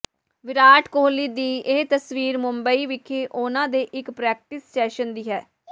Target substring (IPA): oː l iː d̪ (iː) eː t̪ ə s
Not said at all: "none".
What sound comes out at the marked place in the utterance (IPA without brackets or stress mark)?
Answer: iː